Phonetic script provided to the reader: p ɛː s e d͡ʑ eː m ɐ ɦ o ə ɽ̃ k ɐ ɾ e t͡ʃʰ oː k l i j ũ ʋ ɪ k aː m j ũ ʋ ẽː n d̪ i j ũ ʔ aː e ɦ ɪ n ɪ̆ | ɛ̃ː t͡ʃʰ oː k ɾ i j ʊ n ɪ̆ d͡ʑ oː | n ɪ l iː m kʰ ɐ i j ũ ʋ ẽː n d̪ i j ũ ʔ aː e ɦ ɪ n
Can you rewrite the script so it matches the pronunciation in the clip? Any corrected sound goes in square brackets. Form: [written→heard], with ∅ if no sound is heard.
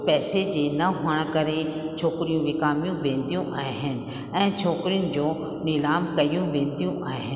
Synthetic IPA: p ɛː s e d͡ʑ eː [m→n] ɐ ɦ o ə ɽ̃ k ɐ ɾ e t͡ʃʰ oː k [l→ɾ] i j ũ ʋ ɪ k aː m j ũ ʋ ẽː n d̪ i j ũ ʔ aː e ɦ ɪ n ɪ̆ | ɛ̃ː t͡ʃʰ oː k ɾ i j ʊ n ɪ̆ d͡ʑ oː | n ɪ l [iː→aː] m [kʰ→k] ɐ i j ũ ʋ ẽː n d̪ i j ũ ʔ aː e ɦ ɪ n